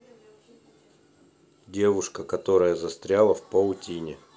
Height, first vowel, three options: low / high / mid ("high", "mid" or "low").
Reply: mid